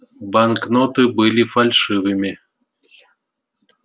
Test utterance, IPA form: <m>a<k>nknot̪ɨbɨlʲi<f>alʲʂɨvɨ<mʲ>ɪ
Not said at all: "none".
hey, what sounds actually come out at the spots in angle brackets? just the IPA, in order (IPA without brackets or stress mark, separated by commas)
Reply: b, none, f, mʲ